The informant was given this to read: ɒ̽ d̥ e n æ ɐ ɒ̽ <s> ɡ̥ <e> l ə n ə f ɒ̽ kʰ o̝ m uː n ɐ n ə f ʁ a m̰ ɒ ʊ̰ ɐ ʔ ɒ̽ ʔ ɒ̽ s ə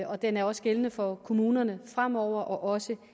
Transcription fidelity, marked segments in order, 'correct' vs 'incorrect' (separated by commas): correct, correct